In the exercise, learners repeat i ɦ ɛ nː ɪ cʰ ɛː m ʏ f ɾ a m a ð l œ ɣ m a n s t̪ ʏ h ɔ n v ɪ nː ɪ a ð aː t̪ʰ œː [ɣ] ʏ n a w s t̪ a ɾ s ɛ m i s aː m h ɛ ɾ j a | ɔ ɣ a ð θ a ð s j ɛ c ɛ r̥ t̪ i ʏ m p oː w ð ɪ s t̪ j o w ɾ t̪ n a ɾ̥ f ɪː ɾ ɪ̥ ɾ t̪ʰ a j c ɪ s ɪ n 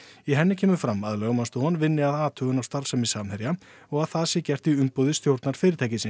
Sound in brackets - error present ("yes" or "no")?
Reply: no